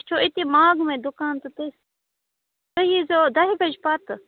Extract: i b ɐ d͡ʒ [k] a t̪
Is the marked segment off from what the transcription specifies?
yes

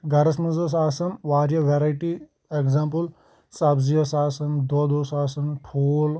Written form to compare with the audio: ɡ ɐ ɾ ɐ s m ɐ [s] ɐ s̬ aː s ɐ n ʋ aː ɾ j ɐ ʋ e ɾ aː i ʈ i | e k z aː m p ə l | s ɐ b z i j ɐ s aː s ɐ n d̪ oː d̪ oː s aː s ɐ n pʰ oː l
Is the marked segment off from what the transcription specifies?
yes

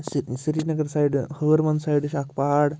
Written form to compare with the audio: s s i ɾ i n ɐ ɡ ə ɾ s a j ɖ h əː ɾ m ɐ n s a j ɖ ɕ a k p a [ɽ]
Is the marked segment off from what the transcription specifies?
no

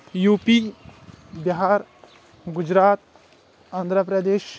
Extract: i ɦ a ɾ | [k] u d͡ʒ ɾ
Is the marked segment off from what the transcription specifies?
yes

